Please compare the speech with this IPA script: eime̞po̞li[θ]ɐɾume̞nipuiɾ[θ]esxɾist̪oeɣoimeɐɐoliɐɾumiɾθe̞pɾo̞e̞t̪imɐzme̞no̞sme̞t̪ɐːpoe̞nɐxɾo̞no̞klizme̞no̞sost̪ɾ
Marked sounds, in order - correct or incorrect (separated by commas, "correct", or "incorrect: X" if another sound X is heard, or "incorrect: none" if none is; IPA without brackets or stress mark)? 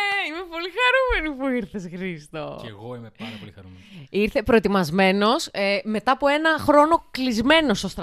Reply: incorrect: x, correct